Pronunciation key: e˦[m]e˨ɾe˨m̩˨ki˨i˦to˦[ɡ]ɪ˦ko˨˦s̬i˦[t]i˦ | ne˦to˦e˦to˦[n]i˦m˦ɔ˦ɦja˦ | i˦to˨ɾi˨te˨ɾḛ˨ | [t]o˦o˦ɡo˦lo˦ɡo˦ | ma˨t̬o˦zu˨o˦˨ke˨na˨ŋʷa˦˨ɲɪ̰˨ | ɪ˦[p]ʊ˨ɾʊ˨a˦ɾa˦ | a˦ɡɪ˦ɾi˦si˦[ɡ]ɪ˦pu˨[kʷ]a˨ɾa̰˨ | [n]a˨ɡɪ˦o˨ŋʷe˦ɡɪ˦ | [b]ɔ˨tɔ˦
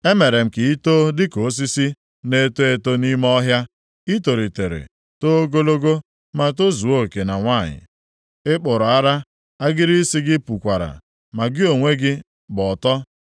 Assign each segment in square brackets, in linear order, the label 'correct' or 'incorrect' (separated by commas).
correct, incorrect, incorrect, correct, correct, incorrect, correct, correct, incorrect, correct